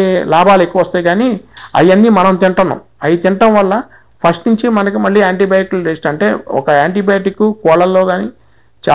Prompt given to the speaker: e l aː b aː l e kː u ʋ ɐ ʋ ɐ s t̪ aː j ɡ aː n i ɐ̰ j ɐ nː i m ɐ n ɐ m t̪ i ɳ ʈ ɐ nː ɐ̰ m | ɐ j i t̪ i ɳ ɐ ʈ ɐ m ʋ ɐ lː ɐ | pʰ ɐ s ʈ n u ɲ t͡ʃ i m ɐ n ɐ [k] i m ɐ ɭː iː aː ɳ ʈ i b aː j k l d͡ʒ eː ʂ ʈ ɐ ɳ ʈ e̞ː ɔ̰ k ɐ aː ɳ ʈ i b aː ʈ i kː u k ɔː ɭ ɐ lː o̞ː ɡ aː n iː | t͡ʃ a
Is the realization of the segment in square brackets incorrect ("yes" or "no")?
no